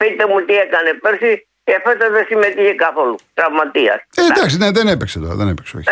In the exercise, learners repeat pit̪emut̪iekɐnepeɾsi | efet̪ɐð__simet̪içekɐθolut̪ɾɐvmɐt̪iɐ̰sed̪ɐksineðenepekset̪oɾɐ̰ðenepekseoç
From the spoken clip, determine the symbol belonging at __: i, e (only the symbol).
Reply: e